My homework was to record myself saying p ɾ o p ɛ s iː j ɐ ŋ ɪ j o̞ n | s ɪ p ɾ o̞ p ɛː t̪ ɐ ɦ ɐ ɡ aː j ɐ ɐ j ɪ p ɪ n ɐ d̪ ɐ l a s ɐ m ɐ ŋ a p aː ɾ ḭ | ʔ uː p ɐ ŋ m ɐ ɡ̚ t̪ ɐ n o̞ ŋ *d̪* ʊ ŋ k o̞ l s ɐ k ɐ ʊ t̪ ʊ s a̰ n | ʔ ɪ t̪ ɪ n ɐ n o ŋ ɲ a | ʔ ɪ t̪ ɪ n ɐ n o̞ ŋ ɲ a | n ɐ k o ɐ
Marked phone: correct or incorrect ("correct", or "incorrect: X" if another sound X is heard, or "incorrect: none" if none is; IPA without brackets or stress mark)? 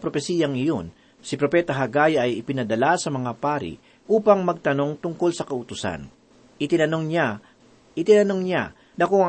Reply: incorrect: t̪